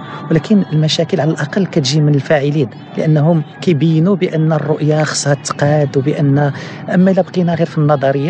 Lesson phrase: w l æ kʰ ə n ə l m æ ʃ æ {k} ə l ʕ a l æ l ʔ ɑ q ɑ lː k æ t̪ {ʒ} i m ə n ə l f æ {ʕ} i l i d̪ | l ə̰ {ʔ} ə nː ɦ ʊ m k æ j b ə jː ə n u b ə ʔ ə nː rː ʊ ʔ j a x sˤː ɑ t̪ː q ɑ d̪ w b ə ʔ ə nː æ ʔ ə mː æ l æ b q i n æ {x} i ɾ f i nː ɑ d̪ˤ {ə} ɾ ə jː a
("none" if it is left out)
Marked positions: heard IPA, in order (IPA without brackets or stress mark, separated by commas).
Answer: k, ʒ, ʕ, ʔ, ɣ, ɑ